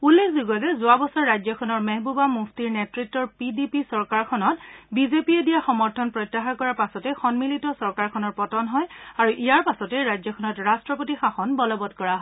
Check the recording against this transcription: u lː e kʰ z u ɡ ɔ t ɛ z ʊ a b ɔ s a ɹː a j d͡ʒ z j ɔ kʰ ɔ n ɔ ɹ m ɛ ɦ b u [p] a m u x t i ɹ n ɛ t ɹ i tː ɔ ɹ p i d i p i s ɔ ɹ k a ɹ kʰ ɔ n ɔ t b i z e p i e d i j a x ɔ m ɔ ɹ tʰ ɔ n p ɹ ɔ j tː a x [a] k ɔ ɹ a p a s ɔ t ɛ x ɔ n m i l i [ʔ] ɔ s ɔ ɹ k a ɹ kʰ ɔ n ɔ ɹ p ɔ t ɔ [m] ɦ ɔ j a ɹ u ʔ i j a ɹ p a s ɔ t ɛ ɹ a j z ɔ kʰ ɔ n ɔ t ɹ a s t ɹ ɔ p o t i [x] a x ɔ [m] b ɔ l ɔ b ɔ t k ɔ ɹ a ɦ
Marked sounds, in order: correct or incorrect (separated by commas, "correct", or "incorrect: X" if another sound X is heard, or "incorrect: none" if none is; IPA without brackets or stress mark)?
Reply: incorrect: b, correct, incorrect: t, incorrect: n, correct, incorrect: n